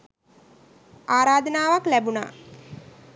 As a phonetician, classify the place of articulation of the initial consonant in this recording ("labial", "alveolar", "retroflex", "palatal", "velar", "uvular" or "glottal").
alveolar